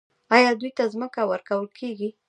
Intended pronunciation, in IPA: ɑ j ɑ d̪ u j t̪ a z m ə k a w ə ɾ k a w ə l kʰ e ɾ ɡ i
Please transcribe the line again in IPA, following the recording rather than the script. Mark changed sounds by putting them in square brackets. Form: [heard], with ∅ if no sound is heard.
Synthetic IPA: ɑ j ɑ d̪ u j t̪ a z m ə k a w ə ɾ k a w ə l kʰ e [∅] ɡ i